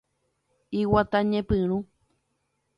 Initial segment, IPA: i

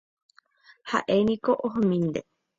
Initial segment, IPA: h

